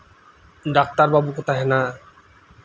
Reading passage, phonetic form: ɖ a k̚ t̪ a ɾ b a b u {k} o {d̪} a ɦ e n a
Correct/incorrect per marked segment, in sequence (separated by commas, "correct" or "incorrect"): correct, incorrect